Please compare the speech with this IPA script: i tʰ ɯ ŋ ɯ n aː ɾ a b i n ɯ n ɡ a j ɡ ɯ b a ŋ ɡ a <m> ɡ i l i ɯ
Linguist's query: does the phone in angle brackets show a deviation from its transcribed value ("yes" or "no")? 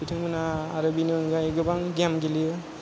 no